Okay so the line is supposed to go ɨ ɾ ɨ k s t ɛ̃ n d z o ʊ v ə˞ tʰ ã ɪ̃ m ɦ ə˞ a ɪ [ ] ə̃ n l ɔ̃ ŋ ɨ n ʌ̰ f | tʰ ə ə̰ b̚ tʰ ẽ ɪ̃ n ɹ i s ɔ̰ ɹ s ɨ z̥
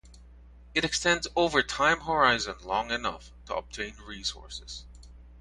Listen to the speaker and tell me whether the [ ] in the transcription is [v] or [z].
z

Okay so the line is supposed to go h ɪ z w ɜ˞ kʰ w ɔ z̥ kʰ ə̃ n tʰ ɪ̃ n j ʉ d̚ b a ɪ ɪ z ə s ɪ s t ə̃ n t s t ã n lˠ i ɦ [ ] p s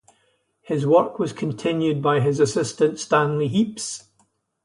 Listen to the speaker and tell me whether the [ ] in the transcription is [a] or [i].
i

